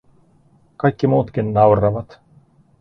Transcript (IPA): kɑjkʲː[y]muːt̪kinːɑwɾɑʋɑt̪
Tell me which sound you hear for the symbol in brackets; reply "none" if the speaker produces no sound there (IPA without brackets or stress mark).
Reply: i